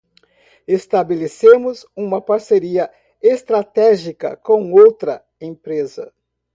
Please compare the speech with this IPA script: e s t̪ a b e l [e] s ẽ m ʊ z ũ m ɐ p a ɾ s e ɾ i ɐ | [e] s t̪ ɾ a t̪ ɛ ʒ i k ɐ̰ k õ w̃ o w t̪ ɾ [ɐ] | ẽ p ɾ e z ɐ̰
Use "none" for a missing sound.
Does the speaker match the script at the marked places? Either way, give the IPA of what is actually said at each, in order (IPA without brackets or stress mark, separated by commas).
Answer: e, e, ɐ